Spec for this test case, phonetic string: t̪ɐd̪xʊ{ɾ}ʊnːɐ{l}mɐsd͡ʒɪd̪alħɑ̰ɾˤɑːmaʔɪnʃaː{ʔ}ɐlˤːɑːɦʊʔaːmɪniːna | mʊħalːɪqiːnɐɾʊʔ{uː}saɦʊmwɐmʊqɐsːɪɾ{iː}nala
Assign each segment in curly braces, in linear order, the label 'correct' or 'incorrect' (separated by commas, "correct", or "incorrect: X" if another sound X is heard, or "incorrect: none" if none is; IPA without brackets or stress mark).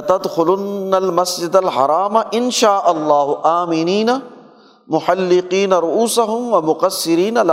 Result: incorrect: l, correct, correct, correct, correct